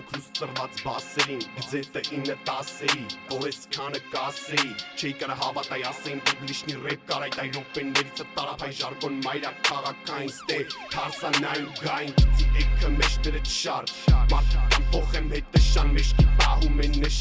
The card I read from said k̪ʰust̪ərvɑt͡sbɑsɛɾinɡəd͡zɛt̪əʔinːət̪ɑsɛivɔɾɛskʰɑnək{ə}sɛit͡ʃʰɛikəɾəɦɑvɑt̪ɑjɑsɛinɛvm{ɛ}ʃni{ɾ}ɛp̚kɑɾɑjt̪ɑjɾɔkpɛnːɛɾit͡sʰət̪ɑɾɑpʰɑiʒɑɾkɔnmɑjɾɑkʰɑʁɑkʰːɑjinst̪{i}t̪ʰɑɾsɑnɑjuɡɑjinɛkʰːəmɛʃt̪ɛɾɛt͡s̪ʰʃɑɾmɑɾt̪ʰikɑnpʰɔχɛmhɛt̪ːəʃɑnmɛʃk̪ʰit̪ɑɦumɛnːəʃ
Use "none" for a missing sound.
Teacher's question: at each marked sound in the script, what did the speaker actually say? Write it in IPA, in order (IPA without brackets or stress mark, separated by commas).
ɑ, i, r, ɛ